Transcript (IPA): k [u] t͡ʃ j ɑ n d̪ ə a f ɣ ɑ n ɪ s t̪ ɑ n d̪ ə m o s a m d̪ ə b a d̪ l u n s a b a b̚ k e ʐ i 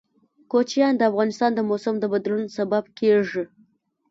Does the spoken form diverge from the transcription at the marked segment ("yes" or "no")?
yes